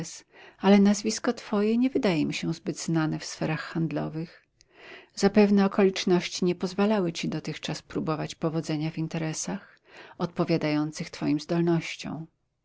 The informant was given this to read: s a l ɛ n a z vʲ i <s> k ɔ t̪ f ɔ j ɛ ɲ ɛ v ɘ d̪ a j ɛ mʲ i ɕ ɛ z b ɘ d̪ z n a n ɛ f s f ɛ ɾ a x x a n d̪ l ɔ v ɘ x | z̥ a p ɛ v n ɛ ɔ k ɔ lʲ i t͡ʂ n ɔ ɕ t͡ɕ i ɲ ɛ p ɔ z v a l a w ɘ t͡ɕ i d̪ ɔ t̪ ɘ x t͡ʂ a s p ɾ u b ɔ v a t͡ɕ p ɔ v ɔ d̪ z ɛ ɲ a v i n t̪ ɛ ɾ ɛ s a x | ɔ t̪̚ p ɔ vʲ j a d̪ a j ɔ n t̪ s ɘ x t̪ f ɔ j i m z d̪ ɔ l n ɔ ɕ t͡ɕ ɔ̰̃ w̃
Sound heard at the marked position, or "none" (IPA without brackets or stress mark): s